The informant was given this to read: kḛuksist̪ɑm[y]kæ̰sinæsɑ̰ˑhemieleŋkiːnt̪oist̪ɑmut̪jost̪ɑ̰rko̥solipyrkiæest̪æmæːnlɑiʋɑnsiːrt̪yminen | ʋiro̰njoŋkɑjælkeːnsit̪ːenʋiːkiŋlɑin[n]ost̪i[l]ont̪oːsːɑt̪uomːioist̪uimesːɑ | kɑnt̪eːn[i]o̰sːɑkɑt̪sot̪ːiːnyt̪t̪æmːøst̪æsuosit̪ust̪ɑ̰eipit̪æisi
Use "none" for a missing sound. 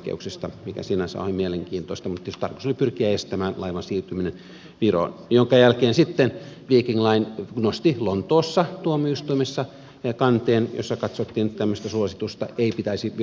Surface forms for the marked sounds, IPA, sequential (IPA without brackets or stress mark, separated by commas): i, n, l, j